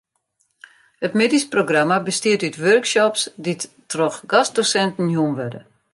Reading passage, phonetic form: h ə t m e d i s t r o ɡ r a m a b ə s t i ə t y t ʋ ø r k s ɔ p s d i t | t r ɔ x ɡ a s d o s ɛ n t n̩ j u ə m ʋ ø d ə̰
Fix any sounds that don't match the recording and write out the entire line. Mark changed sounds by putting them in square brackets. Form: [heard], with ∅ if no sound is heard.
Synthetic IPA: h ə t m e d i s [p] r o ɡ r a m a b ə s t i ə t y t ʋ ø r k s ɔ p s d i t | t r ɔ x ɡ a s d o s ɛ n t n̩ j u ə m ʋ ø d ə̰